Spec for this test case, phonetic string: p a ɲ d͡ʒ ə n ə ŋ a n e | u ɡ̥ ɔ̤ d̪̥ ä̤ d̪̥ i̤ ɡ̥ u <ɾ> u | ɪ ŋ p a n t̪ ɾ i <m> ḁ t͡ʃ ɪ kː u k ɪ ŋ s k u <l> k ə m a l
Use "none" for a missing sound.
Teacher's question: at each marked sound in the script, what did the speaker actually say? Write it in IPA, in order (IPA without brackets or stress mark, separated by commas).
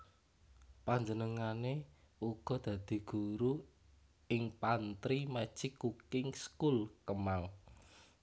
ɾ, m, l